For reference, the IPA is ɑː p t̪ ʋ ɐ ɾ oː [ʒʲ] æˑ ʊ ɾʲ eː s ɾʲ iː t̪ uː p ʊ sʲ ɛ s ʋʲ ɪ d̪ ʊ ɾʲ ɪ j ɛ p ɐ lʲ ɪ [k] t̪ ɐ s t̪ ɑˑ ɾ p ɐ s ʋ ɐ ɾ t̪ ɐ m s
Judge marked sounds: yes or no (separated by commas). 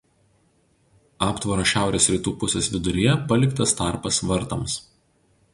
no, yes